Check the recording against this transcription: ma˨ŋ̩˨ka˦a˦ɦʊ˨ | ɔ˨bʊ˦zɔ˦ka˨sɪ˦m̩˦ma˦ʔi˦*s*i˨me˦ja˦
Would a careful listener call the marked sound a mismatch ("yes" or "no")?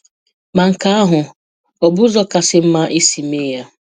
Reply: no